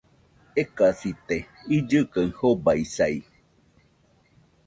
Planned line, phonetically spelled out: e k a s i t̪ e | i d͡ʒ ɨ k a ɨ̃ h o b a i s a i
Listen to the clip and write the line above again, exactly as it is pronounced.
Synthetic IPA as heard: e k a s i t̪ e | i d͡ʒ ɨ k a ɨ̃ h o b a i s a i